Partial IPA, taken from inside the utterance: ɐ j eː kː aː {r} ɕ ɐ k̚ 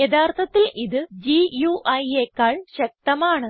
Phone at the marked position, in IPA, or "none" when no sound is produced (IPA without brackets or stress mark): ɭ